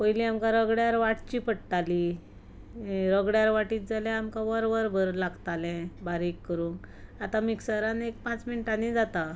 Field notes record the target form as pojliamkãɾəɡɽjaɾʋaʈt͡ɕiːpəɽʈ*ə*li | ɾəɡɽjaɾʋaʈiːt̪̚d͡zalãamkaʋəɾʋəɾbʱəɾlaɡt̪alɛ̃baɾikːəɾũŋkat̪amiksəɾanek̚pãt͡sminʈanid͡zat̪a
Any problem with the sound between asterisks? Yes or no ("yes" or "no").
yes